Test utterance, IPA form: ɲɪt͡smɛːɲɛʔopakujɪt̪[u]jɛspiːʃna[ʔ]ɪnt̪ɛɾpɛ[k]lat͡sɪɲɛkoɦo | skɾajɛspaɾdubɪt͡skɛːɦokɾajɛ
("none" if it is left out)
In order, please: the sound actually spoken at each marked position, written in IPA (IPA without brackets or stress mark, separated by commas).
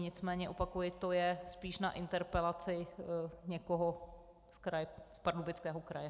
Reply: o, ʔ, none